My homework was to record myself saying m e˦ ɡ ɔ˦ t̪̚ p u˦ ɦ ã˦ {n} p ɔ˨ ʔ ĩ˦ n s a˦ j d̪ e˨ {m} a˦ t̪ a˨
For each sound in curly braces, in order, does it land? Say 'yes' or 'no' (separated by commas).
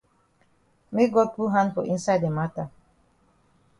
yes, yes